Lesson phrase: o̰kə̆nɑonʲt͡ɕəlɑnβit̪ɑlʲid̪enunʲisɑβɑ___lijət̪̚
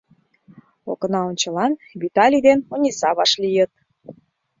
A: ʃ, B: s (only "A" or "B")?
A